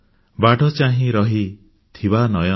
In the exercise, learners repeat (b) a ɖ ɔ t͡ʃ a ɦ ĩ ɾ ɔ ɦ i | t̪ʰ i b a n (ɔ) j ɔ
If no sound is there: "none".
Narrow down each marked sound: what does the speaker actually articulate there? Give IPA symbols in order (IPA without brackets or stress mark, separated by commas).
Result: b, ɔ